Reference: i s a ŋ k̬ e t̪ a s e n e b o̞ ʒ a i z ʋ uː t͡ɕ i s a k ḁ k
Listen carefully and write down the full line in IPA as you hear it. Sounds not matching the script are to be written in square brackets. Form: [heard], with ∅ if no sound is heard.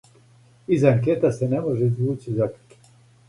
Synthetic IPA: i [z] a ŋ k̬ e t̪ a s e n e [m] o̞ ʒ [e] i z ʋ uː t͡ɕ i [z] a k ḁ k